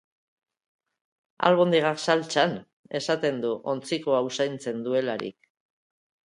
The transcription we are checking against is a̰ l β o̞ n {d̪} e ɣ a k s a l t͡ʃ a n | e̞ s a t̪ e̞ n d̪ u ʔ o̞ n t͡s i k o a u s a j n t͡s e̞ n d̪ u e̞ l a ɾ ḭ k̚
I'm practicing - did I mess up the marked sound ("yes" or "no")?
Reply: no